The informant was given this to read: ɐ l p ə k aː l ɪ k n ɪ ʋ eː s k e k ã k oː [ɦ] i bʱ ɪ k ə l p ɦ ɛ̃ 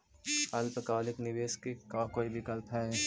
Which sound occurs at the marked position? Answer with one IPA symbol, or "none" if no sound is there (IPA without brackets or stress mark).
none